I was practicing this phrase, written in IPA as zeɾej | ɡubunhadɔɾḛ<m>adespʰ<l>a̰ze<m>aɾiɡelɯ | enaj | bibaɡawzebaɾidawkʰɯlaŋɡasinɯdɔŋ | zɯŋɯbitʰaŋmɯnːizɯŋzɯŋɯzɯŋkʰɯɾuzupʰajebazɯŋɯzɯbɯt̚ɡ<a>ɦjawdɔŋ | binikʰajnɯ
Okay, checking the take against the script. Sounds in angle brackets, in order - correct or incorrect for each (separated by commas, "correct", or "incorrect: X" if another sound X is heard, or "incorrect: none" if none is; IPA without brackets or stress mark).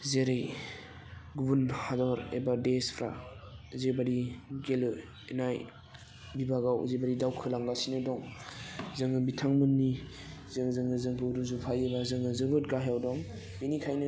incorrect: b, incorrect: ɾ, incorrect: b, correct